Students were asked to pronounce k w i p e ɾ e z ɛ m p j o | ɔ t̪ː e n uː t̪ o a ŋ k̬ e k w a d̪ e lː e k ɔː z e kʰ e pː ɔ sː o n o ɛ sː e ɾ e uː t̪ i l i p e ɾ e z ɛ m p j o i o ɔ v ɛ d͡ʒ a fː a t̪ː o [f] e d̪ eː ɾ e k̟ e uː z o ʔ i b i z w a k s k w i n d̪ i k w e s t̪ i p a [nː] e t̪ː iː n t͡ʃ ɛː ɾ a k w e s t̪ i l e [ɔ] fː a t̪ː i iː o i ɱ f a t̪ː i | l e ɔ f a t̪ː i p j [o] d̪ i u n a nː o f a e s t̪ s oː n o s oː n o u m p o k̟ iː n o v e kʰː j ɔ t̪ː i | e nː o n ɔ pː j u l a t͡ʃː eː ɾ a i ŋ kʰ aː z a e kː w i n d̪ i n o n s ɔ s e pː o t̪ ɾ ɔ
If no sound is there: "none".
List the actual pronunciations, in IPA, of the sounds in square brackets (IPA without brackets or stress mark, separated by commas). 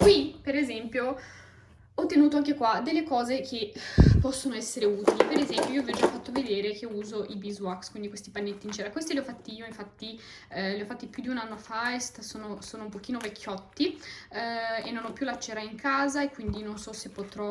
v, nː, ɔ, u